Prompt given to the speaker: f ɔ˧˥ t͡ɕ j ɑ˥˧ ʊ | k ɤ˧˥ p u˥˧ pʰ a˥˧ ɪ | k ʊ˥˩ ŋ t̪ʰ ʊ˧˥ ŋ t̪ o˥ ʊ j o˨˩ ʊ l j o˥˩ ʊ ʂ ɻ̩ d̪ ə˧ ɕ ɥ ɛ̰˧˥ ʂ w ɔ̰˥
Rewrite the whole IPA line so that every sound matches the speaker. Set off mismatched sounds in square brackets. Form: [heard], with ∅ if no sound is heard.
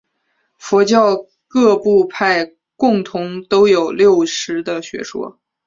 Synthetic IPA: f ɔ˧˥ t͡ɕ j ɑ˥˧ ʊ | k [ɤ˥˧] p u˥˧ pʰ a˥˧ ɪ | k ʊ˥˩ ŋ t̪ʰ ʊ˧˥ ŋ t̪ o˥ ʊ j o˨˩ ʊ l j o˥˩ ʊ ʂ ɻ̩ d̪ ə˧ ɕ ɥ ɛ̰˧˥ ʂ w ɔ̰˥